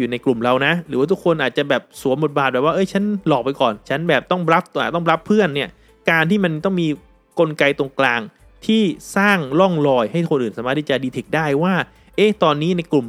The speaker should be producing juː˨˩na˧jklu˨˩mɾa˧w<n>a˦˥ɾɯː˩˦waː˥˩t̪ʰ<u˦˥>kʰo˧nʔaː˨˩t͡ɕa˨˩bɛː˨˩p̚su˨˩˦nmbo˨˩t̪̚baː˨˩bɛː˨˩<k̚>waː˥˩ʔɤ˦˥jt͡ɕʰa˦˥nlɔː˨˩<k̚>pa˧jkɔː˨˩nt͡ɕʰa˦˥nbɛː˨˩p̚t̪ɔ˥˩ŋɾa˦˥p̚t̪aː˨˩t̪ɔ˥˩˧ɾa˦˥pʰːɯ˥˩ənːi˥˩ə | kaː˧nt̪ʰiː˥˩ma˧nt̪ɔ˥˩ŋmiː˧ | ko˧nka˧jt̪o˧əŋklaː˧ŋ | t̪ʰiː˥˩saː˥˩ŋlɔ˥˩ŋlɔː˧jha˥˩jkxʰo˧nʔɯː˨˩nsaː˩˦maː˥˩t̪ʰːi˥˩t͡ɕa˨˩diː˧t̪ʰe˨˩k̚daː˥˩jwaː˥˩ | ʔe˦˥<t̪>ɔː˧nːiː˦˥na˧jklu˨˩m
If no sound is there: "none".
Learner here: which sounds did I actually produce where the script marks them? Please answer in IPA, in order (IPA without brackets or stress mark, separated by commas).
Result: n, u˦˥, p̚, k̚, t̪